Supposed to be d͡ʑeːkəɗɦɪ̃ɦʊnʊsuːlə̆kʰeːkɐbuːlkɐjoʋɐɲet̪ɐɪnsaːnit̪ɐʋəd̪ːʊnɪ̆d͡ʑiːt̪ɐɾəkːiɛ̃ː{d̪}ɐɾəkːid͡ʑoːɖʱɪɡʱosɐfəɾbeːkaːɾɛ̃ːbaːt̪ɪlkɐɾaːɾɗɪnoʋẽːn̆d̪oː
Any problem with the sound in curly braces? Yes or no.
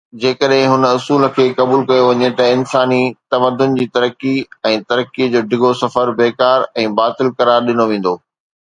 yes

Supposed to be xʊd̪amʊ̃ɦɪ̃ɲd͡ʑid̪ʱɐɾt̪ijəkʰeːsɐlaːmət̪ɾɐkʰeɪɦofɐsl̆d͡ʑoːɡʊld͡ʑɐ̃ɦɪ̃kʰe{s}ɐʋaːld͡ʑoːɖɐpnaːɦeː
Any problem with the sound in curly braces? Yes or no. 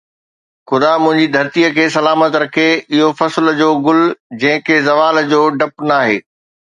yes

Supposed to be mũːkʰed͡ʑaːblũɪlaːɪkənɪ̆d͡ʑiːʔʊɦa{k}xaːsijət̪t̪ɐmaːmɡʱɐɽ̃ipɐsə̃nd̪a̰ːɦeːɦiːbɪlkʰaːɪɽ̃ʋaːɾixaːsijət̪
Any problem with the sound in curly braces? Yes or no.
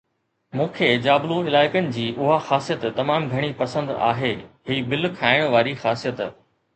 yes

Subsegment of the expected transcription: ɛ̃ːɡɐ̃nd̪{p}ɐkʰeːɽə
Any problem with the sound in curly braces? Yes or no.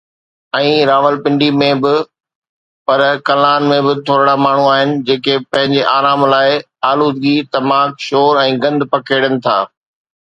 no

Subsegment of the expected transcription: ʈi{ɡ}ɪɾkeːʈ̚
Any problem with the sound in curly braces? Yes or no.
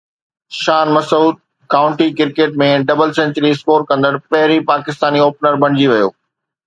yes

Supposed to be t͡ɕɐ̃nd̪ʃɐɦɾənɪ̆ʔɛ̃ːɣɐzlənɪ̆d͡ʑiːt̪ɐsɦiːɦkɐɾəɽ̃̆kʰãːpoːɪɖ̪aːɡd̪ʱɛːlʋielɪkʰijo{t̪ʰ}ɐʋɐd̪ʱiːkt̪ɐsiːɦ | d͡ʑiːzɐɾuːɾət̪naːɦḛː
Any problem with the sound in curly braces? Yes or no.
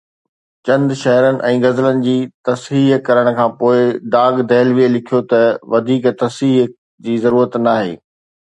yes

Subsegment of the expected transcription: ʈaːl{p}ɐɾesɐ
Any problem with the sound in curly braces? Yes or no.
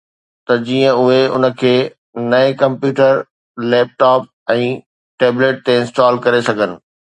yes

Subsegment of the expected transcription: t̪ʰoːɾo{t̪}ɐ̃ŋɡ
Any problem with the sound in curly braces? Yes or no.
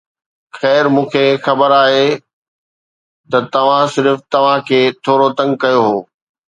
no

